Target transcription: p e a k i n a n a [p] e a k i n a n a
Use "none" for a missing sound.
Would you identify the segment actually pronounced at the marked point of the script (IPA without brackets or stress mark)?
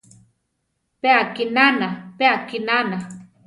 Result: p